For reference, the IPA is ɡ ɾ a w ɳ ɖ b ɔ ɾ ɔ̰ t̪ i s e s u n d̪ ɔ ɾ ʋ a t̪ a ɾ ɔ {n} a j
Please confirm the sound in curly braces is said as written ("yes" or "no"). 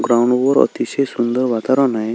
yes